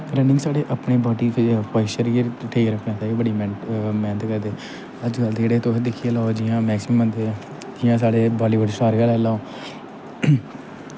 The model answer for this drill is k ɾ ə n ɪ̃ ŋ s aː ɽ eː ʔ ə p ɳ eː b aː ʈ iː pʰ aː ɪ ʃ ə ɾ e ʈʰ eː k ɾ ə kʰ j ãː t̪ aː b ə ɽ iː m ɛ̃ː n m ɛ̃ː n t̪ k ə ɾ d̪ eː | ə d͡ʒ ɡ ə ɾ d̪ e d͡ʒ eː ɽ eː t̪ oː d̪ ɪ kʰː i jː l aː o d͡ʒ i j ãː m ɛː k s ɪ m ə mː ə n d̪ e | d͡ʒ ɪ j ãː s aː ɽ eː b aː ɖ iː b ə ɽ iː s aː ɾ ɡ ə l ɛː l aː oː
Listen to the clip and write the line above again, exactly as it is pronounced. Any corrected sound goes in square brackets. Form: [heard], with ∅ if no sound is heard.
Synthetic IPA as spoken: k ɾ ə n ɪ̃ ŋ s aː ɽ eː ʔ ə p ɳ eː b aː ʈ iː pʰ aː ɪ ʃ ə ɾ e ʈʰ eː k ɾ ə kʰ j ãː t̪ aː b ə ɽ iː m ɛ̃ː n m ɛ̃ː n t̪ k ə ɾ d̪ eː | ə d͡ʒ ɡ ə [l] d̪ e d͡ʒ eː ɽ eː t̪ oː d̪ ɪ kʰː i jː l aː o d͡ʒ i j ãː m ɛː k s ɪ m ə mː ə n d̪ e | d͡ʒ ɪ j ãː s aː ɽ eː b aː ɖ iː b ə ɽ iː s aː ɾ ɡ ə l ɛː l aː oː

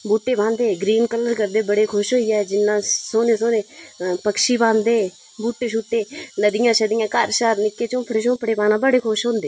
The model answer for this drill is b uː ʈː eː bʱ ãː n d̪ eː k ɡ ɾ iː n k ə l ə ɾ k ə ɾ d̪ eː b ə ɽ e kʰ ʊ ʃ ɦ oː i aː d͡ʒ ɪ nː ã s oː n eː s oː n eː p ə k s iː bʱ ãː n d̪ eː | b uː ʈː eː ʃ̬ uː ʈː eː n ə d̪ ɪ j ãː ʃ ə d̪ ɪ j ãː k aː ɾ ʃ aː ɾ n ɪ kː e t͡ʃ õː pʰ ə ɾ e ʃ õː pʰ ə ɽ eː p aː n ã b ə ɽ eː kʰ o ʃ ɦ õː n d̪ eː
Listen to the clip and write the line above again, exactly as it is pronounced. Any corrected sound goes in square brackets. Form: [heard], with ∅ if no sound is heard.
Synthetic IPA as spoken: b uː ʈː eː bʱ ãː n d̪ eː [∅] ɡ ɾ iː n k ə l ə ɾ k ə ɾ d̪ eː b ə ɽ e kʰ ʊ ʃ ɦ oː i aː d͡ʒ ɪ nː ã s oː n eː s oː n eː p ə k [ʃ] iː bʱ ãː n d̪ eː | b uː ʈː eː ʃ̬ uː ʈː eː n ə d̪ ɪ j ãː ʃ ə d̪ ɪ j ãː k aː ɾ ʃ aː ɾ n ɪ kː e t͡ʃ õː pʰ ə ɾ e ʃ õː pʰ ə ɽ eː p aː n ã b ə ɽ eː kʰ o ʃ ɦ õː n d̪ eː

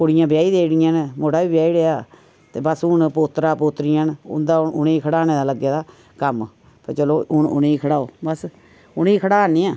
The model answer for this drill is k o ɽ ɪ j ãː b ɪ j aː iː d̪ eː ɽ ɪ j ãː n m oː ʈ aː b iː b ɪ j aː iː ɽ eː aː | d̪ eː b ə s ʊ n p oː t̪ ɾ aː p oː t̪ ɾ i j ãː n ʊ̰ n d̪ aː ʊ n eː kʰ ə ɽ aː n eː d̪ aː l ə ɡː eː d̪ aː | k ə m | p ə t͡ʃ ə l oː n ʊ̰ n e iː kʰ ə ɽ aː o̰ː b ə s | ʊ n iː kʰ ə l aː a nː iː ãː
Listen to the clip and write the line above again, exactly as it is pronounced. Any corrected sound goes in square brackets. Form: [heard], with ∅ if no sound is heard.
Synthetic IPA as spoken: k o ɽ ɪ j ãː b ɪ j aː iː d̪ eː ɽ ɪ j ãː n m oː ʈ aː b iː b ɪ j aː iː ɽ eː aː | [t̪] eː b ə s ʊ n p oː t̪ ɾ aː p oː t̪ ɾ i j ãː n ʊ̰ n d̪ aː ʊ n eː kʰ ə ɽ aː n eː d̪ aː l ə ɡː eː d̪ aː | k ə m | p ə t͡ʃ ə l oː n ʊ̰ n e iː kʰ ə ɽ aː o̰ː b ə s | ʊ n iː kʰ ə [ɽ] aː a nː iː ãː

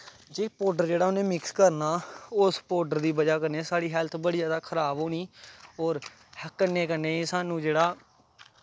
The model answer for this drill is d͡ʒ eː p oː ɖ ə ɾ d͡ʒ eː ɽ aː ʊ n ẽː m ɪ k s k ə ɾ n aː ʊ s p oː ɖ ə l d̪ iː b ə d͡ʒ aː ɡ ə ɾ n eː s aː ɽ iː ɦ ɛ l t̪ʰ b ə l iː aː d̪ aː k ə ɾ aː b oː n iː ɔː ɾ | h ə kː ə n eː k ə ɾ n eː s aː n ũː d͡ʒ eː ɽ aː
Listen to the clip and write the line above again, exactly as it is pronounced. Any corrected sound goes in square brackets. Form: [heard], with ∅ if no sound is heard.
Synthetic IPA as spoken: d͡ʒ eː p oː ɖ ə ɾ d͡ʒ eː ɽ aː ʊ n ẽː m ɪ k s k ə ɾ n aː ʊ s p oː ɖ ə [ɾ] d̪ iː b ə d͡ʒ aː [k] ə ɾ n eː s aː ɽ iː ɦ ɛ l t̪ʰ b ə [ɽ] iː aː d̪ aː [kʰ] ə ɾ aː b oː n iː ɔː ɾ | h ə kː ə n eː k ə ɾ n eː s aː n ũː d͡ʒ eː ɽ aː

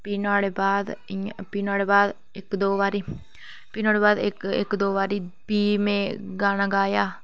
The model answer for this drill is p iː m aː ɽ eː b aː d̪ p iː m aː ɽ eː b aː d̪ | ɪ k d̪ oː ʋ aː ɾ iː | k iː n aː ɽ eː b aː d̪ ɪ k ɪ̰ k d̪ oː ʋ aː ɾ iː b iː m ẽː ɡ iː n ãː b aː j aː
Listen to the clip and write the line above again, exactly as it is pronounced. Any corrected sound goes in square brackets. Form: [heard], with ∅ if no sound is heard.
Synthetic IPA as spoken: p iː [n] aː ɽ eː b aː d̪ p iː [n] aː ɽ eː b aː d̪ | ɪ k d̪ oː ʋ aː ɾ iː | [p] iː n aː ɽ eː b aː d̪ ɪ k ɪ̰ k d̪ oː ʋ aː ɾ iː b iː m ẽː ɡ [aː] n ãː [ɡ] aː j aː

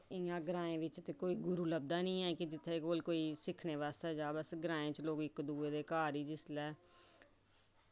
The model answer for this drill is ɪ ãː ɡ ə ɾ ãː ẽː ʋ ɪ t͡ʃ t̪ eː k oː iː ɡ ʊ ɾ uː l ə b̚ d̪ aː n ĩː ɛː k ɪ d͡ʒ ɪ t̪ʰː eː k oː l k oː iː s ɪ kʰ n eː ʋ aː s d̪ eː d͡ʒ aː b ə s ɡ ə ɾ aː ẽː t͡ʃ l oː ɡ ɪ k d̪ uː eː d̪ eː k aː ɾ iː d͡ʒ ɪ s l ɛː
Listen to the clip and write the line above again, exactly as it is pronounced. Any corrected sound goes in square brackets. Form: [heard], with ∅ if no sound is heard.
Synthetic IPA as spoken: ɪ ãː ɡ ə ɾ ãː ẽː ʋ ɪ t͡ʃ t̪ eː k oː iː ɡ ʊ ɾ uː l ə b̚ d̪ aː n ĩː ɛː k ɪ d͡ʒ ɪ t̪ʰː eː k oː l k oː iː s ɪ kʰ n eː ʋ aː s [t̪] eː d͡ʒ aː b ə s ɡ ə ɾ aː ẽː t͡ʃ l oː ɡ ɪ k d̪ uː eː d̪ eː k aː ɾ iː d͡ʒ ɪ s l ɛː

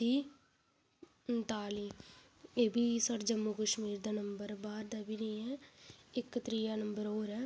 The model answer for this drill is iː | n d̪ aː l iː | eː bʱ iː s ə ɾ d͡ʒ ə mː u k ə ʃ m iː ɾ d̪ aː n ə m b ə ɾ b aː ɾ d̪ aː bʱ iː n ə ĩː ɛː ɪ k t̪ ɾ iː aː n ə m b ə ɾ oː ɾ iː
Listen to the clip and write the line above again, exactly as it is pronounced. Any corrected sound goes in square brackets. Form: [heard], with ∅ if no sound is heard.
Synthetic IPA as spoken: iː | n [t̪] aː l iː | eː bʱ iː s ə ɾ d͡ʒ ə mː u k ə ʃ m iː ɾ d̪ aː n ə m b ə ɾ b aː ɾ d̪ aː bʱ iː n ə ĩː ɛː ɪ k t̪ ɾ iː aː n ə m b ə ɾ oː ɾ [ɛː]

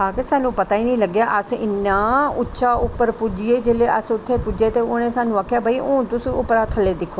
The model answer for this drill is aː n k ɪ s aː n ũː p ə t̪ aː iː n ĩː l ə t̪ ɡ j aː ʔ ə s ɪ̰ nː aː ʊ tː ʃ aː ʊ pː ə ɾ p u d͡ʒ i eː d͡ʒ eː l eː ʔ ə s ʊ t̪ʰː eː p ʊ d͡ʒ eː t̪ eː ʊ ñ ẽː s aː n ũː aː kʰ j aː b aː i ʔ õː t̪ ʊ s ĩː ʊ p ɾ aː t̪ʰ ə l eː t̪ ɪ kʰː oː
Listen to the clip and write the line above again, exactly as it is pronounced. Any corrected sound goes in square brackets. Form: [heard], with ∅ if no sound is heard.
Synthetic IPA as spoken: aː [∅] k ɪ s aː n ũː p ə t̪ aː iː n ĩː l ə [∅] ɡ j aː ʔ ə s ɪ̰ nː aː ʊ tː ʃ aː ʊ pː ə ɾ p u d͡ʒ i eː d͡ʒ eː l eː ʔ ə s ʊ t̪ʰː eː p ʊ d͡ʒ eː t̪ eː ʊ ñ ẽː s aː n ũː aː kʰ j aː b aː i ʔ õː t̪ ʊ s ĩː ʊ p ɾ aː t̪ʰ ə l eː [d̪] ɪ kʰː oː

